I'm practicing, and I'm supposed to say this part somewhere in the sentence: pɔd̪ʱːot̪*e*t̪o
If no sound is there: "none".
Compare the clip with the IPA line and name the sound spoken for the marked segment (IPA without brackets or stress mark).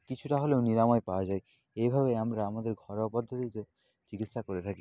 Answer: i